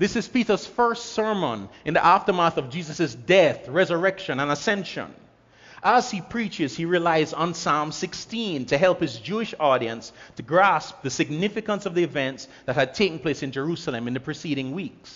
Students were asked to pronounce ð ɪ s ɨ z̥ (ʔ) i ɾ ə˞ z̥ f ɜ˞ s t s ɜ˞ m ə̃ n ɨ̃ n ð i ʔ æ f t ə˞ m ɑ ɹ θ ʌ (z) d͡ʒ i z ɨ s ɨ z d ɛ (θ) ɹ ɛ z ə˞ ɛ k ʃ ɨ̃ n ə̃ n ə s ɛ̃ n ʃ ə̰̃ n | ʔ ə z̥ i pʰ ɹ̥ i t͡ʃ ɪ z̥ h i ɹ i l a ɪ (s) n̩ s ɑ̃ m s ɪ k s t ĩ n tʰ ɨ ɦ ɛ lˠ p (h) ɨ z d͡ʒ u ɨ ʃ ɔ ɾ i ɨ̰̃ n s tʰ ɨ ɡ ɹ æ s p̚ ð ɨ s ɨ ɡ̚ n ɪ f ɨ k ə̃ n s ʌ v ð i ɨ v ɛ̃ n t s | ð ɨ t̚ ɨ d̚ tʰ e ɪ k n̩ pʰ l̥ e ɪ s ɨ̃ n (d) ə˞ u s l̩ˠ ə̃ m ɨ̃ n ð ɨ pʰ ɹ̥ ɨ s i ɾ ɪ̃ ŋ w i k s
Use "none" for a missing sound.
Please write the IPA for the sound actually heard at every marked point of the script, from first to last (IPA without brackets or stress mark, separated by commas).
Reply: p, v, θ, z, h, d͡ʒ